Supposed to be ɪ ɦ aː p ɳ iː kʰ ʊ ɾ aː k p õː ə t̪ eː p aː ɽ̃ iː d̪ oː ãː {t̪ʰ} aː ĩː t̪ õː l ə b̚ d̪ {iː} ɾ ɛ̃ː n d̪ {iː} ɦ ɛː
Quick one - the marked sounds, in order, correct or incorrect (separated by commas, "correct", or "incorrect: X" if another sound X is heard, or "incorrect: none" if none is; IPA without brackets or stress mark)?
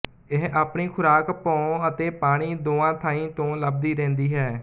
correct, correct, correct